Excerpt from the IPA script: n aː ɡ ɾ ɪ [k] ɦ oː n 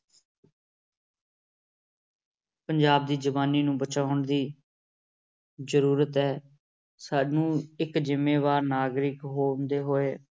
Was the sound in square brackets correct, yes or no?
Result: yes